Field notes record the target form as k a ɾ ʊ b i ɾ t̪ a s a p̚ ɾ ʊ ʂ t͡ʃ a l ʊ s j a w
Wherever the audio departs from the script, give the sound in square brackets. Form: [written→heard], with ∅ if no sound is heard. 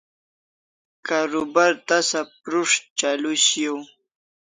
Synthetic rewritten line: k a ɾ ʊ b [i→a] ɾ t̪ a s a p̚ ɾ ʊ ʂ t͡ʃ a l ʊ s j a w